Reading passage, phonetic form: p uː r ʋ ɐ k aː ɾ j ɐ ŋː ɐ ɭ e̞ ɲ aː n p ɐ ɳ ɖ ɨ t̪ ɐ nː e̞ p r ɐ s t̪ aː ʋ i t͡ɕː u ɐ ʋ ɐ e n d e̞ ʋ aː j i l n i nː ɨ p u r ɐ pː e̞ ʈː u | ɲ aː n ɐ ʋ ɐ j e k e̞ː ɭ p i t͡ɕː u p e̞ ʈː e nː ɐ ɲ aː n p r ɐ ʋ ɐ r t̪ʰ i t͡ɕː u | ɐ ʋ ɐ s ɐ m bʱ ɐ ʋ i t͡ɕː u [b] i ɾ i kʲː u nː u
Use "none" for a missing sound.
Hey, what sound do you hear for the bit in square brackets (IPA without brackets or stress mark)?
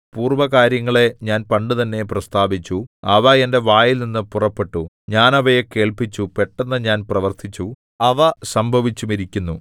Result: m